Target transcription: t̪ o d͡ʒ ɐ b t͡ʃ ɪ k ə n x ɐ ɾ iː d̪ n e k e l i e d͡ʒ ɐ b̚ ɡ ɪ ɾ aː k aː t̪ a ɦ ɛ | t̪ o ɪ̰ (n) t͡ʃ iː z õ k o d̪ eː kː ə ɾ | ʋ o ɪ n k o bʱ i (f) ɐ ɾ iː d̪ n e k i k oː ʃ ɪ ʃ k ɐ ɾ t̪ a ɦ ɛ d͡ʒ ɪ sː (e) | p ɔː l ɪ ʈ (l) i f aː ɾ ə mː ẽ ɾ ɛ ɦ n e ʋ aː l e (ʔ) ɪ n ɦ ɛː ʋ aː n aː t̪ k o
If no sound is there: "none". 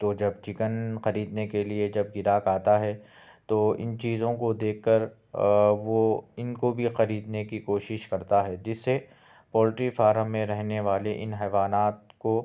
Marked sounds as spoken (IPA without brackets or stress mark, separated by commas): n, x, e, ɾ, ʔ